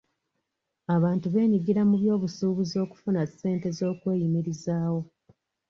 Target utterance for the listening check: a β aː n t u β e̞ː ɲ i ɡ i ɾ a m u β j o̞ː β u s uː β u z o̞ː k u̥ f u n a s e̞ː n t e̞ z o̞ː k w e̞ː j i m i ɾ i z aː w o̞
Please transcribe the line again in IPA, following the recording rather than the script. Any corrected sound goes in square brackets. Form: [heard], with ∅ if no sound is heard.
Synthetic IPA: a β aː n t u β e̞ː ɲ i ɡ i ɾ a m u β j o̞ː β u s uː β u z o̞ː k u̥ f u n a s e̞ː n t e̞ z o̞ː k w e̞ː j i m i ɾ i z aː w o̞